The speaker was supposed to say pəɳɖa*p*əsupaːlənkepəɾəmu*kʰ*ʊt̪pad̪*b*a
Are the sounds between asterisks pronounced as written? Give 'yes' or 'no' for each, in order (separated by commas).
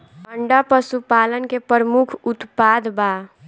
yes, yes, yes